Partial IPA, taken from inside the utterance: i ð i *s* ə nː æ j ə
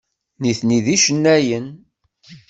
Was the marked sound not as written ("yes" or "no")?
yes